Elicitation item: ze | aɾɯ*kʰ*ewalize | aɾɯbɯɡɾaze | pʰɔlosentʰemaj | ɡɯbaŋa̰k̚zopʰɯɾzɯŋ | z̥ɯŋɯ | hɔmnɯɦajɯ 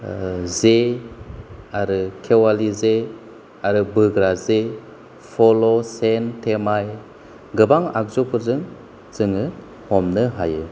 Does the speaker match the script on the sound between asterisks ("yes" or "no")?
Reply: yes